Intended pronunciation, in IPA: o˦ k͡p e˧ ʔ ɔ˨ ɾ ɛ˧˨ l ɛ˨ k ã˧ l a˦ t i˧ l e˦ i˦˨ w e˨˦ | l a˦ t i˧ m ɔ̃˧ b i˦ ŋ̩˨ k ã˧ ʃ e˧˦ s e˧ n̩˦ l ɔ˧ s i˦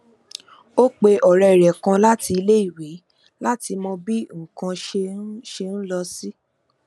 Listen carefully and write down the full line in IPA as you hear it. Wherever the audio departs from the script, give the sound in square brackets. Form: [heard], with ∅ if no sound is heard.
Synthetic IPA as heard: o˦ k͡p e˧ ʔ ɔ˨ ɾ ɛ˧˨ [ɾ] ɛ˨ k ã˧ l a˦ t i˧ l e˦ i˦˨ w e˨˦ | l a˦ t i˧ m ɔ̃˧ b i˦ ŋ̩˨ k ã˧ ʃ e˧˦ [ʃ] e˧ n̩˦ l ɔ˧ s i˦